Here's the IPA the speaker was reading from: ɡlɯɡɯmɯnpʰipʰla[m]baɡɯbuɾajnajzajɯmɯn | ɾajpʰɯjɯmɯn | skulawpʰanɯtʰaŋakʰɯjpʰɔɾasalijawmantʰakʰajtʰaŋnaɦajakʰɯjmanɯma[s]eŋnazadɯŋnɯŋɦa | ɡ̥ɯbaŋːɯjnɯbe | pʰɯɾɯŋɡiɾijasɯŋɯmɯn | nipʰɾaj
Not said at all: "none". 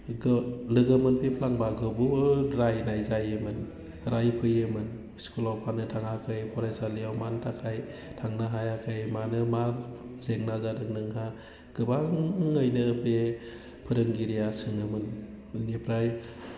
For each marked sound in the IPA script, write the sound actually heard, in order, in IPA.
ŋ, z

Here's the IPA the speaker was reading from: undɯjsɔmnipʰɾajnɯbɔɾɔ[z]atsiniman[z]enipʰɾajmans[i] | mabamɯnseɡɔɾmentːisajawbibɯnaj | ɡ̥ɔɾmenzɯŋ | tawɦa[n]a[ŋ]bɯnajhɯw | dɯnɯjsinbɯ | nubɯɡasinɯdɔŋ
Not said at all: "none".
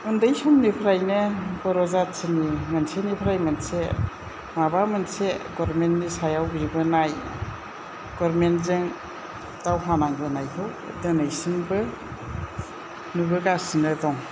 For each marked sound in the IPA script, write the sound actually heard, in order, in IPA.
z, s, e, n, ŋ

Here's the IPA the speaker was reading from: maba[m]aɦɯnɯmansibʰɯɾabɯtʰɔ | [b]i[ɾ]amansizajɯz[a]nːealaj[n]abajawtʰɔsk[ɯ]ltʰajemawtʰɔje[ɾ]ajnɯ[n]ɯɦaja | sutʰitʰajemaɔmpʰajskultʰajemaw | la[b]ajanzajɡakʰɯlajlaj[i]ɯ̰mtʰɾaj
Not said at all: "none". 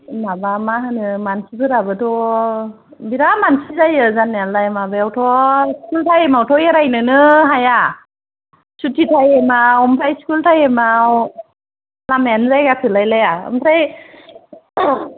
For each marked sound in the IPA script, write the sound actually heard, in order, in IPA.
m, b, ɾ, a, m, u, ɾ, n, m, a

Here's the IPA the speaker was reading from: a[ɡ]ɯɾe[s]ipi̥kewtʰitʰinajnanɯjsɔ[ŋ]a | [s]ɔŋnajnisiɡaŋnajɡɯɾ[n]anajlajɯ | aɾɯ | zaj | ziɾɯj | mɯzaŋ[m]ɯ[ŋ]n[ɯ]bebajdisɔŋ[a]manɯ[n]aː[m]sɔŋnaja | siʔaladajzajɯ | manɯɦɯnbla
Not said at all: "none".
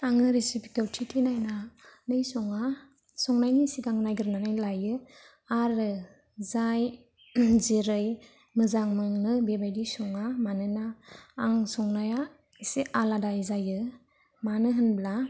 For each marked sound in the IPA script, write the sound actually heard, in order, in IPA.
ŋ, s, ŋ, s, n, m, ŋ, ɯ, a, n, ŋ

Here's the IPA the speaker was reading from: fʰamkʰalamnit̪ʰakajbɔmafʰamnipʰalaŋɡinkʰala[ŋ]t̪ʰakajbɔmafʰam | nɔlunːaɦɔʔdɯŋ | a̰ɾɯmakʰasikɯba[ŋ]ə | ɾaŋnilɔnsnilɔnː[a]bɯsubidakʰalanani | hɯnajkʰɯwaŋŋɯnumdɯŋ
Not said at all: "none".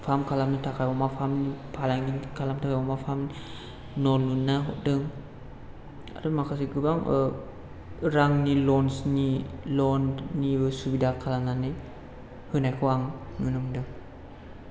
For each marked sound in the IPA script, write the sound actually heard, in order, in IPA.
m, ŋ, i

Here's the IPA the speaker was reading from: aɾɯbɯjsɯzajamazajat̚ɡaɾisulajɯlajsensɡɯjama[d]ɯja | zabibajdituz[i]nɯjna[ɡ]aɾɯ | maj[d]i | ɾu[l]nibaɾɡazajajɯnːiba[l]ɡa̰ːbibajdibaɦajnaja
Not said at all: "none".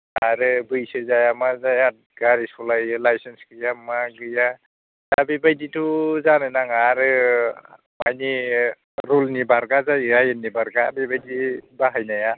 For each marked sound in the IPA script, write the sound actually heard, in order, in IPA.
ɡ, a, ŋ, n, l, ɾ

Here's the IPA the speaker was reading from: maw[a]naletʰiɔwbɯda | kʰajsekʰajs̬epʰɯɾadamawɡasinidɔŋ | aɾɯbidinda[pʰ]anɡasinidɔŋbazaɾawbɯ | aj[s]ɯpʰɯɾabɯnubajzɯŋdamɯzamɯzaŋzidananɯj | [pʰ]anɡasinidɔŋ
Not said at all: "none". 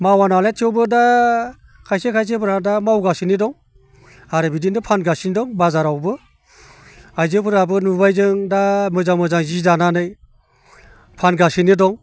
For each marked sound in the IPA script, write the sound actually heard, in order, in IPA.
a, pʰ, z, pʰ

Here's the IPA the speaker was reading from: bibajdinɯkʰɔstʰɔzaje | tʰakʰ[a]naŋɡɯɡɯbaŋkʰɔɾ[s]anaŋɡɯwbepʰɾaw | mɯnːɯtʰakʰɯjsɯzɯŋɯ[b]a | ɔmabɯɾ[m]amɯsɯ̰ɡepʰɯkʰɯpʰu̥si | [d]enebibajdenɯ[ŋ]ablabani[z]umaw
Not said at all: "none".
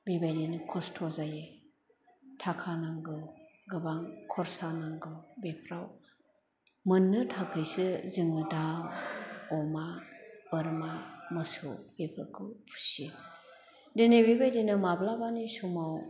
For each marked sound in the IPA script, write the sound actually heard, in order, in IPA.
a, s, d, m, d, m, s

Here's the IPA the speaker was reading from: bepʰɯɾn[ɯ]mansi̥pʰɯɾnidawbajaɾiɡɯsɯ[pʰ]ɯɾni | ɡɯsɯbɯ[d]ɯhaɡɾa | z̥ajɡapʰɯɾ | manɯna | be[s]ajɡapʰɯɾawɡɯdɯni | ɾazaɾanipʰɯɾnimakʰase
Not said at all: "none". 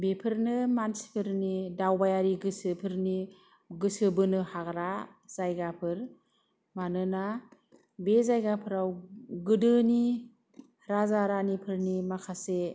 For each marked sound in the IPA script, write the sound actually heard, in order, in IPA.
ɯ, pʰ, n, z

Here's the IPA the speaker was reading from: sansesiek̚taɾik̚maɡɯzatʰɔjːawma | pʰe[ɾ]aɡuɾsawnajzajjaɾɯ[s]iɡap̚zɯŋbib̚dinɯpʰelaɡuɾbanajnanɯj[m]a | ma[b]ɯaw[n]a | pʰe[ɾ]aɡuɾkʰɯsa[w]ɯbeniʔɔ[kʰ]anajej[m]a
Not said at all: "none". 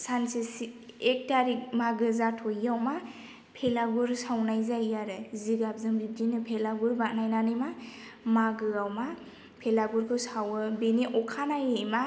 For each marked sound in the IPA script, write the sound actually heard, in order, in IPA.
l, z, m, ɡ, m, l, w, kʰ, m

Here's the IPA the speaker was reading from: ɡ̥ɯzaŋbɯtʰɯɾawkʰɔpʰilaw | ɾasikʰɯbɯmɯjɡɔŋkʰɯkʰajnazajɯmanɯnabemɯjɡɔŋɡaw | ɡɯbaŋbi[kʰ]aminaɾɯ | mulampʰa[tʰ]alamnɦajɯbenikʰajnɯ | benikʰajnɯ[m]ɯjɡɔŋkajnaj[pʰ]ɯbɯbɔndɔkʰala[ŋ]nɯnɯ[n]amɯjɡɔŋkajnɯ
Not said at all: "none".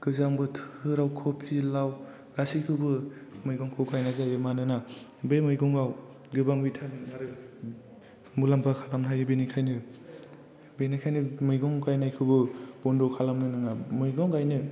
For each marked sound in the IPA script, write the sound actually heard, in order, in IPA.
tʰ, kʰ, m, kʰ, m, ŋ

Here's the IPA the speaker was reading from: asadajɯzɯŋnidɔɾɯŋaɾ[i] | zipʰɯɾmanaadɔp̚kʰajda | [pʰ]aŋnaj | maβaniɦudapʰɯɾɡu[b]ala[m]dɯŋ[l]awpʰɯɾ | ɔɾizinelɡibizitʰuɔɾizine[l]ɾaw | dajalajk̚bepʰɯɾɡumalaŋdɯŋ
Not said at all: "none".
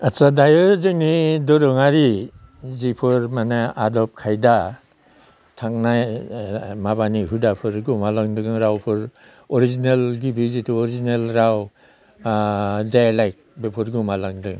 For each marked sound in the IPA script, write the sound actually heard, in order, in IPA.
i, tʰ, m, ŋ, ɾ, l

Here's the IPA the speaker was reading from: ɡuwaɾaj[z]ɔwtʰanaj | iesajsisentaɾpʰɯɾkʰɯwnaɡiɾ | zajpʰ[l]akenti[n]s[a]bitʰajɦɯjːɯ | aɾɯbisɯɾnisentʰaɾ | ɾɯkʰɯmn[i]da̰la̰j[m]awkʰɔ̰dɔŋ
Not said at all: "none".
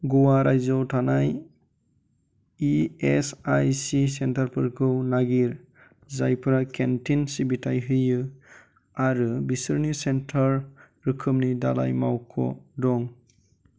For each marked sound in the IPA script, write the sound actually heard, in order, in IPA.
z, ɾ, n, i, i, m

